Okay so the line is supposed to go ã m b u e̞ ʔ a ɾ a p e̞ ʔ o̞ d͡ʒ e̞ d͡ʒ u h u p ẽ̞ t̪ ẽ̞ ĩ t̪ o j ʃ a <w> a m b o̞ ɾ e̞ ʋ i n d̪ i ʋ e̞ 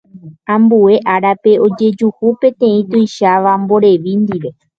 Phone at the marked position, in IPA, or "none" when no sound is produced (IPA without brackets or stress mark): ʋ